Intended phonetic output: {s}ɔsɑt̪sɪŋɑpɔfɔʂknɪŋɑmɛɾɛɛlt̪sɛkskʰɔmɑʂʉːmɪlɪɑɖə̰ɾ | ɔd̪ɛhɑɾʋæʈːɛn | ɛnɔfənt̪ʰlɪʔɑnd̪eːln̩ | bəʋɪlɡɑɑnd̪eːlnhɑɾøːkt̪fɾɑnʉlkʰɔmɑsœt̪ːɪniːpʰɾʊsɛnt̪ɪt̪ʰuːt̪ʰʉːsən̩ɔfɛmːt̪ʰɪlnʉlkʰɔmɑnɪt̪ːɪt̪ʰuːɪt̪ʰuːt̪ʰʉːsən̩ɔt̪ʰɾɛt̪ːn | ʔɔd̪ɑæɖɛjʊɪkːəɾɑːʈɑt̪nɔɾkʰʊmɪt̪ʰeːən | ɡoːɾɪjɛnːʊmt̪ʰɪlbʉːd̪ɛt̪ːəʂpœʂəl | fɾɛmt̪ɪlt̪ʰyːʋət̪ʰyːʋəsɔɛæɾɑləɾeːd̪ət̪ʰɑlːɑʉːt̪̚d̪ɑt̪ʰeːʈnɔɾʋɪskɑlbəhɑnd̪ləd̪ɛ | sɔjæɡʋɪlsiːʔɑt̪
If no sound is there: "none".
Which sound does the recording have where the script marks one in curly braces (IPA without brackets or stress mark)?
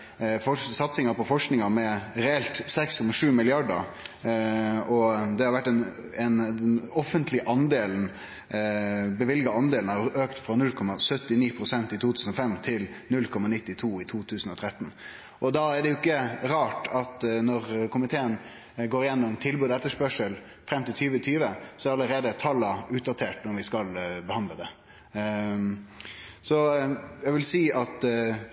f